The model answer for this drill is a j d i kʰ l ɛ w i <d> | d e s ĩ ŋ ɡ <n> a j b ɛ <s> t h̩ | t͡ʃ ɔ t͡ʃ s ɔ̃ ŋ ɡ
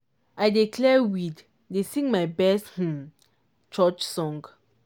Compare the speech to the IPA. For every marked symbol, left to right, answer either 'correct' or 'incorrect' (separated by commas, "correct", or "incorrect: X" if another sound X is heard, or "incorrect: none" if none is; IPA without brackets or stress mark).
correct, incorrect: m, correct